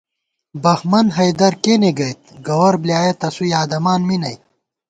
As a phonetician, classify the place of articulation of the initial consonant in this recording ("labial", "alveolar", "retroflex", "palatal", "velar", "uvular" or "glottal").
labial